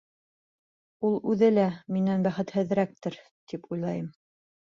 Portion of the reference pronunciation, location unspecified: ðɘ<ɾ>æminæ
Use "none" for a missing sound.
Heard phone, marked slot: l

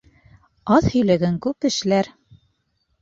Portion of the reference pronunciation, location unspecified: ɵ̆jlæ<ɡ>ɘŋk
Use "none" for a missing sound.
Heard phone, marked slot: ɡ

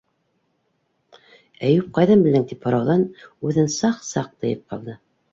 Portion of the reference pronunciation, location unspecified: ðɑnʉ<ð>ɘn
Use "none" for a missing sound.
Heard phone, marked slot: ð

